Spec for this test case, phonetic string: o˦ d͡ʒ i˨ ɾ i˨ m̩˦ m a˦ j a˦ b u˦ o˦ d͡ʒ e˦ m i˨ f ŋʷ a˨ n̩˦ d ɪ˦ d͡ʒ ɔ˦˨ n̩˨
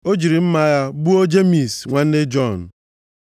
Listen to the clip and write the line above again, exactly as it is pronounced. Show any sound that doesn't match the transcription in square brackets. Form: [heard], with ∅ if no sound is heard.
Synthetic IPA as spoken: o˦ d͡ʒ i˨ ɾ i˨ m̩˦ m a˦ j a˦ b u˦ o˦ d͡ʒ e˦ m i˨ [s] ŋʷ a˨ n̩˦ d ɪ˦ d͡ʒ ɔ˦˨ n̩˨